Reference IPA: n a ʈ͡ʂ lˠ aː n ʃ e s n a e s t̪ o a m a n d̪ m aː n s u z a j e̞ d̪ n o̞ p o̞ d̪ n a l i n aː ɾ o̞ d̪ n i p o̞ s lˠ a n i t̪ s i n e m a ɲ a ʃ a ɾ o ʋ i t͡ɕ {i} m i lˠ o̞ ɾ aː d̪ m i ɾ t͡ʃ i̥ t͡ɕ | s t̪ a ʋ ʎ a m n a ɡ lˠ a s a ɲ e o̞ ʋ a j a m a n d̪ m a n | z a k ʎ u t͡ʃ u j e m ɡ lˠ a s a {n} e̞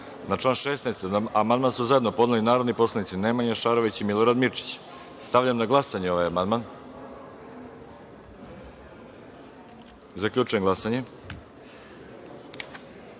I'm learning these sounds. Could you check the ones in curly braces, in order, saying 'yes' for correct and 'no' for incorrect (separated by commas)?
yes, no